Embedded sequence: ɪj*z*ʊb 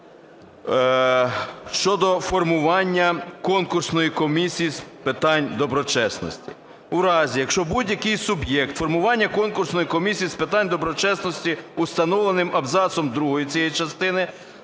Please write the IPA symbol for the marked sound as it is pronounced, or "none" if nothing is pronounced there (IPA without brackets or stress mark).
s